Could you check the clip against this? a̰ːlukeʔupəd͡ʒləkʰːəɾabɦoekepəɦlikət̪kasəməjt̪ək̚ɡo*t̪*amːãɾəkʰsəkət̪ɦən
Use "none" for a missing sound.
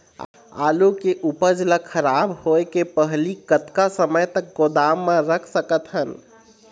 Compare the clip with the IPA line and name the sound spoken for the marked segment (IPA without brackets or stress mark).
d̪